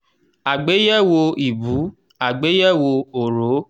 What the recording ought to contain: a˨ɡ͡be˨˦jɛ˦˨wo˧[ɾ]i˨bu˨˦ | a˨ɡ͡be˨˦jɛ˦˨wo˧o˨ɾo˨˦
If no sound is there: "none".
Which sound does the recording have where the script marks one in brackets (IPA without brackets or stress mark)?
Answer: none